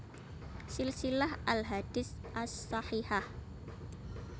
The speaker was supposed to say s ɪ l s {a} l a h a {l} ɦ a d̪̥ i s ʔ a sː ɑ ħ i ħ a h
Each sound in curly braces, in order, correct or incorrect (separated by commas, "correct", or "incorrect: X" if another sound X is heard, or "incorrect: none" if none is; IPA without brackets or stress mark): incorrect: i, correct